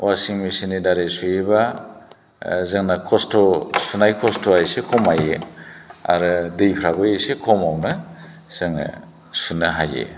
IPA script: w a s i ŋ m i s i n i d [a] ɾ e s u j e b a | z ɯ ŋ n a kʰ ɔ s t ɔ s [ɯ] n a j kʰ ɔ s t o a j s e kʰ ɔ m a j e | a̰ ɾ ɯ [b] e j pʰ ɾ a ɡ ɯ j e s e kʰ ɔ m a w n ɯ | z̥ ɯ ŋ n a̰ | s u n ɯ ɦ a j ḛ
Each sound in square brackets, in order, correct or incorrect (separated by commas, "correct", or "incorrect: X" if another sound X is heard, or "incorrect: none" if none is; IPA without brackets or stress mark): correct, incorrect: u, incorrect: d